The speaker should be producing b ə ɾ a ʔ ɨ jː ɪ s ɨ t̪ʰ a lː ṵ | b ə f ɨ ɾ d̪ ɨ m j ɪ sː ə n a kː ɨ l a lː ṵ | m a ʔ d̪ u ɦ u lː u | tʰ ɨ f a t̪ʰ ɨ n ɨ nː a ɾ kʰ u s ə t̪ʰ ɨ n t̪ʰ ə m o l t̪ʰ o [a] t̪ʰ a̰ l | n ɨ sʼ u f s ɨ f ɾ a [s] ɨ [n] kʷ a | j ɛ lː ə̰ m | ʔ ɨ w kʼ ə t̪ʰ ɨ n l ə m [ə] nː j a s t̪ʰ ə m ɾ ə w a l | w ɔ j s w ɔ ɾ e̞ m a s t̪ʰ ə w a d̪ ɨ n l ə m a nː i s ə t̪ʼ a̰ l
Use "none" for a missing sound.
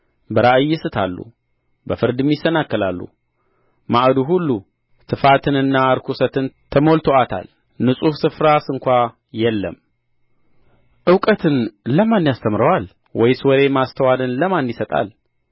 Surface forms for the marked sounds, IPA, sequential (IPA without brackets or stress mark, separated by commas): a, s, ŋ, a